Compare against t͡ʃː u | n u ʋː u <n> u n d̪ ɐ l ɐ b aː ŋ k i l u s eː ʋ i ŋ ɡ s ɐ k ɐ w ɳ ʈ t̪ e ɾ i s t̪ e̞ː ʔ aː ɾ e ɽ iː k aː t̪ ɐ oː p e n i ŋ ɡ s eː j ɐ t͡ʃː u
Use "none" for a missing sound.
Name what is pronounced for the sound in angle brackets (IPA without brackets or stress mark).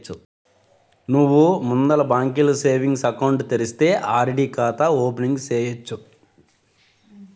m